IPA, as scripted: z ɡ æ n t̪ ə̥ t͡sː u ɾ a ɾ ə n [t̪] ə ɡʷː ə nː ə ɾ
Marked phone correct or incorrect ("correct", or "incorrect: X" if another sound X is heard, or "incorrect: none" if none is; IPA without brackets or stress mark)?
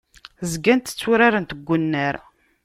correct